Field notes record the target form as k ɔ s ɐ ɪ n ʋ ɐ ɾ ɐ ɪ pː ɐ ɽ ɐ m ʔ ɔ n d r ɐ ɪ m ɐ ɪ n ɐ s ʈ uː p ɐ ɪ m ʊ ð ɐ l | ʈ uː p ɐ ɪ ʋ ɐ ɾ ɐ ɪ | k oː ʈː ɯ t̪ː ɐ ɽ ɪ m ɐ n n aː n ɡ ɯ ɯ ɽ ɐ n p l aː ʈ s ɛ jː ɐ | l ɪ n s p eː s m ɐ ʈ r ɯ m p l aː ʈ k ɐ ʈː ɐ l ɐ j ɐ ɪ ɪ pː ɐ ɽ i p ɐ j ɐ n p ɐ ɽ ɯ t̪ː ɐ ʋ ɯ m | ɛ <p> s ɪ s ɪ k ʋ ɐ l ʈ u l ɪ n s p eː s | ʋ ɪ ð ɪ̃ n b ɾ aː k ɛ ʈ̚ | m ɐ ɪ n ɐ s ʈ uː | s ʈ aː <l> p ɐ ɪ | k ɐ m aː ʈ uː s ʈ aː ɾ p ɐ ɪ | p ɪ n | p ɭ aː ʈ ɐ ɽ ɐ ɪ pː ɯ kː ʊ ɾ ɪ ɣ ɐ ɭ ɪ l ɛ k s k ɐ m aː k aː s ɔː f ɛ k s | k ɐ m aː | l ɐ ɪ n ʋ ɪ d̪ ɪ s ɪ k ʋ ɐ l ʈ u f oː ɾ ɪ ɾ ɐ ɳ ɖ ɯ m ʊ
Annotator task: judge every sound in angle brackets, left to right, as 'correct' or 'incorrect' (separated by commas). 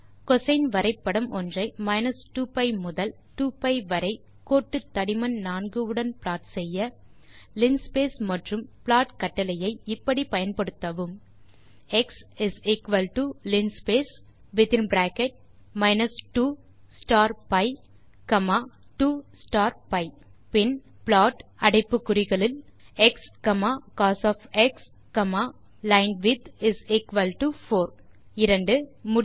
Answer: incorrect, incorrect